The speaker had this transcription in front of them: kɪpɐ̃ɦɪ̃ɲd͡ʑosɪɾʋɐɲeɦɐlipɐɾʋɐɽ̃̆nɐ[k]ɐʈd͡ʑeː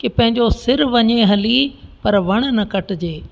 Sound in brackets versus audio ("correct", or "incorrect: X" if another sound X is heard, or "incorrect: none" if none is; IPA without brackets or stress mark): correct